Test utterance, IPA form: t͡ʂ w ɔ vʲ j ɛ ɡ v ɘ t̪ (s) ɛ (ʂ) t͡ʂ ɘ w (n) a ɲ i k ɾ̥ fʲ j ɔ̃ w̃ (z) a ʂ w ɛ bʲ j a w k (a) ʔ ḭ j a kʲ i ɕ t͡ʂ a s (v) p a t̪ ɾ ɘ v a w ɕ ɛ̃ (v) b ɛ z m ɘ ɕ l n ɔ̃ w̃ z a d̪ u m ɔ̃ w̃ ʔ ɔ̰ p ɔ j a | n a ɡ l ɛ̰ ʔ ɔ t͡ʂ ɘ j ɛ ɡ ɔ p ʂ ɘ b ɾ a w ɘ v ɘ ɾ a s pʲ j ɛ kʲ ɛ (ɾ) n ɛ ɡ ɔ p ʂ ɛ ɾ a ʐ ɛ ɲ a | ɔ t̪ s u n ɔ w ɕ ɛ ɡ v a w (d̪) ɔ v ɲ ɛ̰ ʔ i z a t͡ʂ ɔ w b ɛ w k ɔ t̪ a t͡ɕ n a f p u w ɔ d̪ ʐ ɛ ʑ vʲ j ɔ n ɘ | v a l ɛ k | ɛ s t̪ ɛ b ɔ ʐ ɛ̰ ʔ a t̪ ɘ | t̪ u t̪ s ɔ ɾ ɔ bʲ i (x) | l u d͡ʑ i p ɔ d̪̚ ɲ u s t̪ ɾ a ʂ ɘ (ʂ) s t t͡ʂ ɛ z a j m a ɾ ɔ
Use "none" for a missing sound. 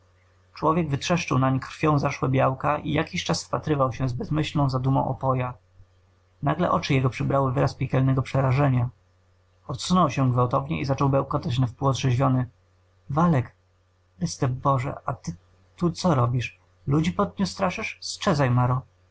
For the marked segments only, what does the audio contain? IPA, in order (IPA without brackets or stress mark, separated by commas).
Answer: ʂ, ʂ, n, z, a, f, z, l, t̪, ʂ, ʂ